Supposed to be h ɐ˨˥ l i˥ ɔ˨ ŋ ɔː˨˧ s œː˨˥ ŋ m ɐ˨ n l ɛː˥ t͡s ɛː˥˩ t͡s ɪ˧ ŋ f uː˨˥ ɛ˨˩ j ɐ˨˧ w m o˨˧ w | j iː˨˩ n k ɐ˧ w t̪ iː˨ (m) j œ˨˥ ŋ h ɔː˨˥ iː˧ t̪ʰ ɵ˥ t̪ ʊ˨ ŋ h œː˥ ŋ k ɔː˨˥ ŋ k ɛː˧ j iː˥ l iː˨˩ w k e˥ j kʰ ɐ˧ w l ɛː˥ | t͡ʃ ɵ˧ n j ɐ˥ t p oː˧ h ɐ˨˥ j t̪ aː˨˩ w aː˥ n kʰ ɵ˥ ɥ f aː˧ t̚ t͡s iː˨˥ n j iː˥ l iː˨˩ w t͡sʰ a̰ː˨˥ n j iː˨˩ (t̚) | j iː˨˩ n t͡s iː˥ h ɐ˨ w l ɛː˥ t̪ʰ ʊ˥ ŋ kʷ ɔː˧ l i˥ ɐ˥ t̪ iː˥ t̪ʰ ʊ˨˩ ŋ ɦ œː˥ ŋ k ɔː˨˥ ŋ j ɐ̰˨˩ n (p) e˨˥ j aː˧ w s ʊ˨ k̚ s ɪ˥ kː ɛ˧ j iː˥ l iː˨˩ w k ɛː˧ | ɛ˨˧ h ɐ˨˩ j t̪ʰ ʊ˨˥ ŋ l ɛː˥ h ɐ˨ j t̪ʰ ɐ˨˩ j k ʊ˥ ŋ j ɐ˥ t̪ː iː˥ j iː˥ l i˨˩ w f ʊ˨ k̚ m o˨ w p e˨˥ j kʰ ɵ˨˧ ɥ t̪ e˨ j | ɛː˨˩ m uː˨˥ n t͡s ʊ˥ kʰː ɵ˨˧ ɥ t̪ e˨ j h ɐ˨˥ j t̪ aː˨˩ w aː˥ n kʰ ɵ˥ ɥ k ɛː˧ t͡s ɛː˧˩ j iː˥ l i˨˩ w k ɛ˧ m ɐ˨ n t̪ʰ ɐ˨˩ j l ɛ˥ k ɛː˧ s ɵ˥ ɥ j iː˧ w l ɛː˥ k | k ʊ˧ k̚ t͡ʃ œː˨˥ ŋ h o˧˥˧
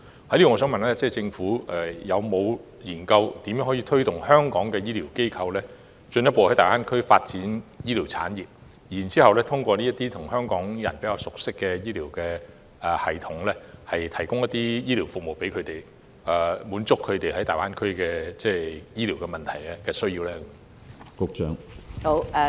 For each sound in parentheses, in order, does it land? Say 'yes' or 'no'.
yes, no, yes

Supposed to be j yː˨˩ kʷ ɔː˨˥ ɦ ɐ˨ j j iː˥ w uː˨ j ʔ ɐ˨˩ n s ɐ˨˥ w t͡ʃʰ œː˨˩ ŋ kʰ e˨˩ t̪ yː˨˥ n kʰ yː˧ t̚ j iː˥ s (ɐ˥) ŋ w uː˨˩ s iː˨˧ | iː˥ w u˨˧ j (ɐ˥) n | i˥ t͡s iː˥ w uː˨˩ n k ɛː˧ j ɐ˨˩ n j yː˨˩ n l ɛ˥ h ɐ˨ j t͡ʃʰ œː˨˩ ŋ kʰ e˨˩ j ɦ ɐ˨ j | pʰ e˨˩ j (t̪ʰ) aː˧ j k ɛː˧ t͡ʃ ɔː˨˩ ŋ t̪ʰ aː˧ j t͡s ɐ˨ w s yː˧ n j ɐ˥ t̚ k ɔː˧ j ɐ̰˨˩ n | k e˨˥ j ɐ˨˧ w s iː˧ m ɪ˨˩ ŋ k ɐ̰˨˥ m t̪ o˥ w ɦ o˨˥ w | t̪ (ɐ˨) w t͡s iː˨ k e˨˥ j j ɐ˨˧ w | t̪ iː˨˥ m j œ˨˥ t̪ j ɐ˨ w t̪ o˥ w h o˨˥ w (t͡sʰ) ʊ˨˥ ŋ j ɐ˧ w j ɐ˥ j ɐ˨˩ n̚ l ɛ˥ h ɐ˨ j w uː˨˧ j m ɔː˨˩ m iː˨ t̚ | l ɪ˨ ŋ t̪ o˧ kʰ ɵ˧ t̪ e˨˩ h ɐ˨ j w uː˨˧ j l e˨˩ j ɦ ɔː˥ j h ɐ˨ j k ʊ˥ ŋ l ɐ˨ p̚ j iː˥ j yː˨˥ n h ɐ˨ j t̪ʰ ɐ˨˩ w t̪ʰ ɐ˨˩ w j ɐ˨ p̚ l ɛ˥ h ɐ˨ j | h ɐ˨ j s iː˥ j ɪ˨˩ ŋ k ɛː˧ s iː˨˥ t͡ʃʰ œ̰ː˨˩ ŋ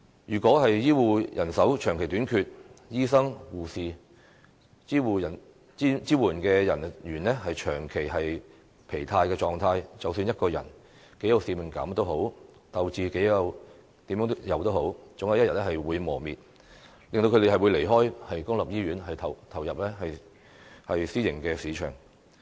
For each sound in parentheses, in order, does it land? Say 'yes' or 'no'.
yes, no, yes, yes, no

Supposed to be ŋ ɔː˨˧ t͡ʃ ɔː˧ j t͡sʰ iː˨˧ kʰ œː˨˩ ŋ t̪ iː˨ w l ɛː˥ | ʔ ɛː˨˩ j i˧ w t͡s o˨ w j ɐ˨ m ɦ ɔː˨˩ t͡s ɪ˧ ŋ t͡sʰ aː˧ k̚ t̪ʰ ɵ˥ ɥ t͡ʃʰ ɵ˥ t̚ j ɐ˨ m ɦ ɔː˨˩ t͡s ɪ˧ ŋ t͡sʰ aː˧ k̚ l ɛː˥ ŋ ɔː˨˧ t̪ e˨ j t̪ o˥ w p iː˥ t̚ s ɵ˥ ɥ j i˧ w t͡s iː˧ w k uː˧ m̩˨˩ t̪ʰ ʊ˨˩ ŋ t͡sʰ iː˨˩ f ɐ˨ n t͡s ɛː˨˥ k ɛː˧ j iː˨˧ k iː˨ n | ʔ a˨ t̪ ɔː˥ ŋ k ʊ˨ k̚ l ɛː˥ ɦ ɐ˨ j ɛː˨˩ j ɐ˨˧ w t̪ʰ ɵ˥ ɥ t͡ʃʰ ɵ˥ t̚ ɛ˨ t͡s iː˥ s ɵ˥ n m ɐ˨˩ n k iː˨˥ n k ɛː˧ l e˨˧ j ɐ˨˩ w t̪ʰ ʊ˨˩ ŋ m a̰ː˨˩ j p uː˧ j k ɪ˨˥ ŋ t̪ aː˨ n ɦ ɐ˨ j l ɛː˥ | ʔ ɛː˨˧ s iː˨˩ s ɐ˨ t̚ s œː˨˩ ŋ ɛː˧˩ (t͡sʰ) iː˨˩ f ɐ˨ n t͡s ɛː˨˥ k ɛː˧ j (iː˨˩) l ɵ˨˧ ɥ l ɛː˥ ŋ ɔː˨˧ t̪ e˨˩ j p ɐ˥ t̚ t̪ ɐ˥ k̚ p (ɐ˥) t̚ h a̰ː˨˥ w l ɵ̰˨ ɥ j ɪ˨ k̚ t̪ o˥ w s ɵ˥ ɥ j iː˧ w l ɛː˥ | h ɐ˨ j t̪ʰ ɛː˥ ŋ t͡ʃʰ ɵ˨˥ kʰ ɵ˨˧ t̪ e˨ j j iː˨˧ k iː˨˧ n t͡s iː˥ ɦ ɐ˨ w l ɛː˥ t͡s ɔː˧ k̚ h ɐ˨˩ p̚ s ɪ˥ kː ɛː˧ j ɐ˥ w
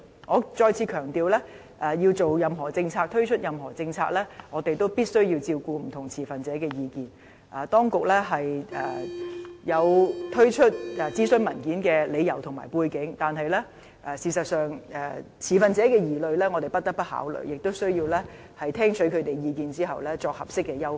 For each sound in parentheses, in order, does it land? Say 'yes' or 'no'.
yes, yes, yes

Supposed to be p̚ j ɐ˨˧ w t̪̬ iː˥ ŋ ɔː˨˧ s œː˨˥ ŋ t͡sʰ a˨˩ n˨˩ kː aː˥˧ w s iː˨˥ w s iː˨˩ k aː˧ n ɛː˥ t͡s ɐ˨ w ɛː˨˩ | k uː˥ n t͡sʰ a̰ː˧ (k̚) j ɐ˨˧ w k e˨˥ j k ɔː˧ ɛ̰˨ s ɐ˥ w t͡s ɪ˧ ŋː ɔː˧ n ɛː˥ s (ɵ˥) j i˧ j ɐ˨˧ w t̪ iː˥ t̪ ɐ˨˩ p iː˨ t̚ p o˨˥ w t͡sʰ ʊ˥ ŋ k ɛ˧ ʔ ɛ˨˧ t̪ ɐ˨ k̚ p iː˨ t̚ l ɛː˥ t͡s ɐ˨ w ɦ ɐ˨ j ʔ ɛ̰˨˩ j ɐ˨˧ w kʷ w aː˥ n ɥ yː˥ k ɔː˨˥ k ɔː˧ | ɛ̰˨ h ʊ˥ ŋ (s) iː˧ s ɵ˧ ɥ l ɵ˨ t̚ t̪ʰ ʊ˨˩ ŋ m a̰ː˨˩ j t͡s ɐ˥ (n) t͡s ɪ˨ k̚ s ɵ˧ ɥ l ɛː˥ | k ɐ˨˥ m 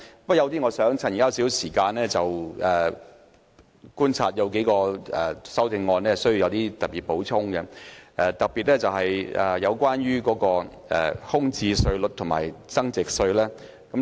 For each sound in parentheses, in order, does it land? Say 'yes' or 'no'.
no, yes, no, no

